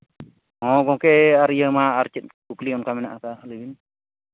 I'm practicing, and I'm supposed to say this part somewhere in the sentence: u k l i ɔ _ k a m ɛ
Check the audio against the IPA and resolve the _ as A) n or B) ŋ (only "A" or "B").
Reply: A